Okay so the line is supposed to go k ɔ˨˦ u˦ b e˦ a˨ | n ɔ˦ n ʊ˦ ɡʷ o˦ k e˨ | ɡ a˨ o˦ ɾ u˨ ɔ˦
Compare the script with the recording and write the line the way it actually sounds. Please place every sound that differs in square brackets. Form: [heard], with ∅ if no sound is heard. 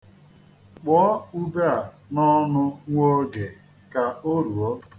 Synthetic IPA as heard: [k͡p] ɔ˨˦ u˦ b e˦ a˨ | n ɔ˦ n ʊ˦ [ŋʷ] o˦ [ɡ] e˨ | [k] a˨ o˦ ɾ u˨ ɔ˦